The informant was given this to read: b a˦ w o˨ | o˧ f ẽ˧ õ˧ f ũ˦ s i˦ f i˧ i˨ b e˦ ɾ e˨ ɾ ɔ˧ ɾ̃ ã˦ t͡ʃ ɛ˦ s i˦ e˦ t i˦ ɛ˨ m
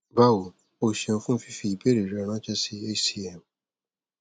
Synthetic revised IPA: b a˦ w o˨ | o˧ ʃ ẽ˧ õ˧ f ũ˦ f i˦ f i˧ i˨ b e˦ ɾ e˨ ɾ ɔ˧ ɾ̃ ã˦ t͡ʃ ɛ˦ s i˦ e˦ s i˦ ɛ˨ m